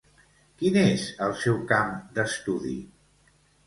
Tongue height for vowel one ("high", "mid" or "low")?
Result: high